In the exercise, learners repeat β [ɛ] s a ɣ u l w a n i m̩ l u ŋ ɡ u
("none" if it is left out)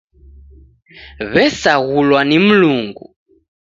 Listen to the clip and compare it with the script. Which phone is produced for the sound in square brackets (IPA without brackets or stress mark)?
ɛ